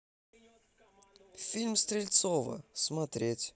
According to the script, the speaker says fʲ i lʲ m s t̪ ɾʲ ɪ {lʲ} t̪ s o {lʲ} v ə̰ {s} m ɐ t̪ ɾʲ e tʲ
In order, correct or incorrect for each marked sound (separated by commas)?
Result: correct, incorrect, correct